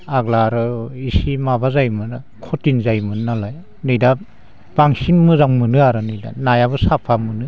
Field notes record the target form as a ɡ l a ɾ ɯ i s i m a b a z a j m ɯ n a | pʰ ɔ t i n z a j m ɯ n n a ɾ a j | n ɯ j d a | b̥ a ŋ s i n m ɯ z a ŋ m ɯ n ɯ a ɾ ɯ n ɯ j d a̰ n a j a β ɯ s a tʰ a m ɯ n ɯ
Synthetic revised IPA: a ɡ l a ɾ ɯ i s i m a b a z a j m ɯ n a | kʰ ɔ t i n z a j m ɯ n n a l a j | n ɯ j d a | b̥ a ŋ s i n m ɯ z a ŋ m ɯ n ɯ a ɾ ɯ n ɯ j d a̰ n a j a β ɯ s a pʰ a m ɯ n ɯ

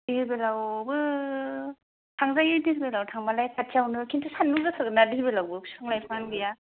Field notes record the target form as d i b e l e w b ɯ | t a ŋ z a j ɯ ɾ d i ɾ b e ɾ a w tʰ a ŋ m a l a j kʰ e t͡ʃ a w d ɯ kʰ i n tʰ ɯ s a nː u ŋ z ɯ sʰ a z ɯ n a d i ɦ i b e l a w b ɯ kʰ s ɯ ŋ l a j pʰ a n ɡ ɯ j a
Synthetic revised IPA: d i b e l a w b ɯ | tʰ a ŋ z a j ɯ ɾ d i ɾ b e l a w tʰ a ŋ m a l a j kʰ a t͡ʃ a w n ɯ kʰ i n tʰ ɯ s a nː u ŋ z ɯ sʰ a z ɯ n a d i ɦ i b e l a w b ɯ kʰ s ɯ ŋ l a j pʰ a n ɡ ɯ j a

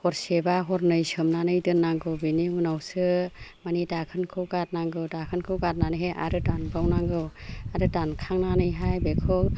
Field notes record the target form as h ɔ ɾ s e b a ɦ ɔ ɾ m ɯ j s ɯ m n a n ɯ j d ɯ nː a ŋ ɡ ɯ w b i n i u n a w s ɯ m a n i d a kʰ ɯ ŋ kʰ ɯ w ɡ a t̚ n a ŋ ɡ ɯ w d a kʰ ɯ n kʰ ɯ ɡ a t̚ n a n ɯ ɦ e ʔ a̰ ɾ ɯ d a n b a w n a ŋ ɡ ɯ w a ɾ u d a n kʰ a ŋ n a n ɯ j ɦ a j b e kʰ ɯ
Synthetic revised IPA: h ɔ ɾ s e b a ɦ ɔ ɾ n ɯ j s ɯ m n a n ɯ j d ɯ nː a ŋ ɡ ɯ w b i n i u n a w s ɯ m a n i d a kʰ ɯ n kʰ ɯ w ɡ a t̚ n a ŋ ɡ ɯ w d a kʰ ɯ n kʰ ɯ ɡ a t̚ n a n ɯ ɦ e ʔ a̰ ɾ ɯ d a n b a w n a ŋ ɡ ɯ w a ɾ ɯ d a n kʰ a ŋ n a n ɯ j ɦ a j b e kʰ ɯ

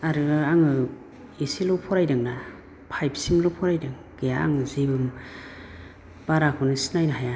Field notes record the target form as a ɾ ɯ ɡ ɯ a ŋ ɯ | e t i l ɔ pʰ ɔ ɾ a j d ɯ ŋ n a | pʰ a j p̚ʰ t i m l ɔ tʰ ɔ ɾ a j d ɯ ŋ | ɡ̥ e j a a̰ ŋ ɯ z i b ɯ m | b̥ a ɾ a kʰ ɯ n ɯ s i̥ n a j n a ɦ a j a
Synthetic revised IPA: a ɾ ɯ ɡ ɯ a ŋ ɯ | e s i l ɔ pʰ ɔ ɾ a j d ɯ ŋ n a | pʰ a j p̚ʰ s i m l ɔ pʰ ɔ ɾ a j d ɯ ŋ | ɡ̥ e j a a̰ ŋ ɯ z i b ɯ m | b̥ a ɾ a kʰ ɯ n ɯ s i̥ n a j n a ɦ a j a

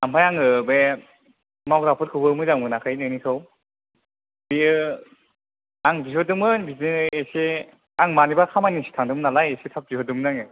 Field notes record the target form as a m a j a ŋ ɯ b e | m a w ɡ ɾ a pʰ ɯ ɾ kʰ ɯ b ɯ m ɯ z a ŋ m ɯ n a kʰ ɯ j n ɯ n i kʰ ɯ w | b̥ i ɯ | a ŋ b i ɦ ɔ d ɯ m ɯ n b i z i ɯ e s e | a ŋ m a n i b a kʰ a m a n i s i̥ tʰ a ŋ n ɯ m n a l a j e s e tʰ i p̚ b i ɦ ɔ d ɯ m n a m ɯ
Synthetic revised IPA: a m a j a ŋ ɯ b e | m a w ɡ ɾ a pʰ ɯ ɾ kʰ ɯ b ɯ m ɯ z a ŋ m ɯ n a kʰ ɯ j n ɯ n i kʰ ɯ w | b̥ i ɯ | a ŋ b i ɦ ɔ d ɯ m ɯ n b i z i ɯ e s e | a ŋ m a n i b a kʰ a m a n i s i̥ tʰ a ŋ d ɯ m n a l a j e s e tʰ a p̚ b i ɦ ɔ d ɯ m n a ŋ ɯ

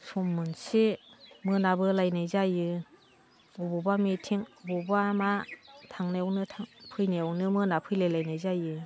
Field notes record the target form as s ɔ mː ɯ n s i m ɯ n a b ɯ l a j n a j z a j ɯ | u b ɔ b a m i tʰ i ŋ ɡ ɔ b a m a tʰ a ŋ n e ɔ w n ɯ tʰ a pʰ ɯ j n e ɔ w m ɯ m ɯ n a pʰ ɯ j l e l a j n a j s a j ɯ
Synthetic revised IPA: s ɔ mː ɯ n s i m ɯ n a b ɯ l a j n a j z a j ɯ | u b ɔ b a m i tʰ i ŋ b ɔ b a m a tʰ a ŋ n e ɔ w n ɯ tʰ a pʰ ɯ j n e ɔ w n ɯ m ɯ n a pʰ ɯ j l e l a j n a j z a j ɯ

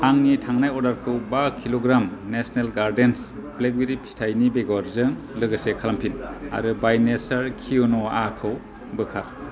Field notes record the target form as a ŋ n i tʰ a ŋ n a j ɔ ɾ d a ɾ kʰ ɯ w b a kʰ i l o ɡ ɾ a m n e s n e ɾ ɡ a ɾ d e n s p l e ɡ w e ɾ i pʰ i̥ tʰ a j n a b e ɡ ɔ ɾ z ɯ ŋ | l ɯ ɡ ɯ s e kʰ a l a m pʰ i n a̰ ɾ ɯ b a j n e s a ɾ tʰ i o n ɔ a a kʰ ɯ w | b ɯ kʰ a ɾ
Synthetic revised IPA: a ŋ n i tʰ a ŋ n a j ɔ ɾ d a ɾ kʰ ɯ w b a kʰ i l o ɡ ɾ a m n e s n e l ɡ a ɾ d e n s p l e ɡ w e ɾ i pʰ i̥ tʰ a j n i b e ɡ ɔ ɾ z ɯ ŋ | l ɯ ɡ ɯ s e kʰ a l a m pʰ i n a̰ ɾ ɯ b a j n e s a ɾ kʰ i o n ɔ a a kʰ ɯ w | b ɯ kʰ a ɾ

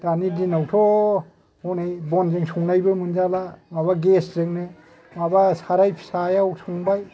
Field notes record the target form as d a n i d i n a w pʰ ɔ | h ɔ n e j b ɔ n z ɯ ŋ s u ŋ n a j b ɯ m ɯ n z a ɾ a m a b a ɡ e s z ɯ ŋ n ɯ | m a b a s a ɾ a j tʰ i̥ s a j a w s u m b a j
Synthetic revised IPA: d a n i d i n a w tʰ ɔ | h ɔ n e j b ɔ n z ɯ ŋ s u ŋ n a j b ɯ m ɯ n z a l a m a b a ɡ e s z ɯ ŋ n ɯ | m a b a s a ɾ a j pʰ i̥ s a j a w s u ŋ b a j

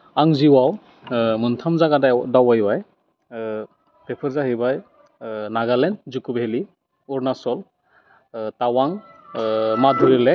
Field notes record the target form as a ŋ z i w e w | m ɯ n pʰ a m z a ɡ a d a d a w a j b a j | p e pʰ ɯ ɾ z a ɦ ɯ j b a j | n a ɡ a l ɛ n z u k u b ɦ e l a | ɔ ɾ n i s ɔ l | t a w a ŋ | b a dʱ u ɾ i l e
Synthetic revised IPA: a ŋ z i w a w | m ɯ n tʰ a m z a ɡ a d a d a w a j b a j | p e pʰ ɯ ɾ z a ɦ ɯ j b a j | n a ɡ a l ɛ n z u k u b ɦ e l i | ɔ ɾ n a s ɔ l | t a w a ŋ | m a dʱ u ɾ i l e

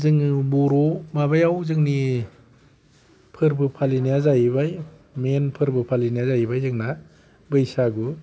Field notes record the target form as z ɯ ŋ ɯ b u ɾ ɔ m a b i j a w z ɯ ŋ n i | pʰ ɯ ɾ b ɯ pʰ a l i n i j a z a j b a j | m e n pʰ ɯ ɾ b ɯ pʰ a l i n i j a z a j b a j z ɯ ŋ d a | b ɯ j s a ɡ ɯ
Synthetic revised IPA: z ɯ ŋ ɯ b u ɾ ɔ m a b a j a w z ɯ ŋ n i | pʰ ɯ ɾ b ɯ pʰ a l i n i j a z a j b a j | m e n pʰ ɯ ɾ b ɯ pʰ a l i n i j a z a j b a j z ɯ ŋ n a | b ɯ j s a ɡ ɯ

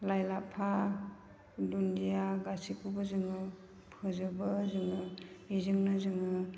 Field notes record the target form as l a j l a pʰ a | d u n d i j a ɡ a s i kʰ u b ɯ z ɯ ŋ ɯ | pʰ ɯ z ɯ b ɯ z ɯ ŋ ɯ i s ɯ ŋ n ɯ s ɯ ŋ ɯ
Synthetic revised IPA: l a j l a pʰ a | d u n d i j a ɡ a s i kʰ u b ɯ z ɯ ŋ ɯ | pʰ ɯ z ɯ b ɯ z ɯ ŋ ɯ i z ɯ ŋ n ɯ z ɯ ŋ ɯ

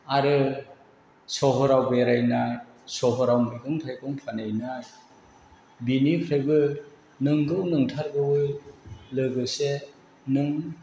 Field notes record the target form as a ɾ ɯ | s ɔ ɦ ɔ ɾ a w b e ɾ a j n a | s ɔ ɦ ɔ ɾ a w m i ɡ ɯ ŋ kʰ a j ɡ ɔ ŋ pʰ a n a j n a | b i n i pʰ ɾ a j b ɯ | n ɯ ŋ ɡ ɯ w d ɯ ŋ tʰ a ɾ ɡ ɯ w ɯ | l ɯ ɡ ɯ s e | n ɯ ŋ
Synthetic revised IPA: a ɾ ɯ | s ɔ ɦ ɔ ɾ a w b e ɾ a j n a | s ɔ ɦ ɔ ɾ a w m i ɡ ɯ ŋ tʰ a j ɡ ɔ ŋ pʰ a n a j n a | b i n i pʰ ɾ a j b ɯ | n ɯ ŋ ɡ ɯ w n ɯ ŋ tʰ a ɾ ɡ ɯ w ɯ | l ɯ ɡ ɯ s e | n ɯ ŋ

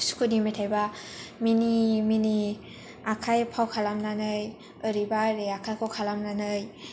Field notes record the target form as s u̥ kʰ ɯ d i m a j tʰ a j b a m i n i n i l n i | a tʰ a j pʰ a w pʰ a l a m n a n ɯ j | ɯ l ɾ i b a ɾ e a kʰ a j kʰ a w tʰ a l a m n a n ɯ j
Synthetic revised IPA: s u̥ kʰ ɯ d i m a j tʰ a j b a m i n i m i n i | a kʰ a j pʰ a w kʰ a l a m n a n ɯ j | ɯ ɾ i b a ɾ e a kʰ a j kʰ a w kʰ a l a m n a n ɯ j

